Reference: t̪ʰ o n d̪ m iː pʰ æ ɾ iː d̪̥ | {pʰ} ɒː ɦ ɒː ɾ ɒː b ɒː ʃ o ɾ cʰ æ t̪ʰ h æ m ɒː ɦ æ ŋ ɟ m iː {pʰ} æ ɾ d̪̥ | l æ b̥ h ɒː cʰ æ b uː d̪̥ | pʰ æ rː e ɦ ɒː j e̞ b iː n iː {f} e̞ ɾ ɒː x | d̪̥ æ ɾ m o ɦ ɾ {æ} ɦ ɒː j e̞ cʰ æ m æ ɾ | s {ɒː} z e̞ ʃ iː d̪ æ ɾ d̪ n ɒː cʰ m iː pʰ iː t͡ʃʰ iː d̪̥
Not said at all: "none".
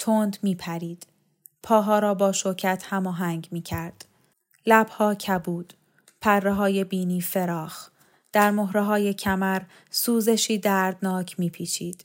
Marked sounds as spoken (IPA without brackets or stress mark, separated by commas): pʰ, cʰ, f, e, uː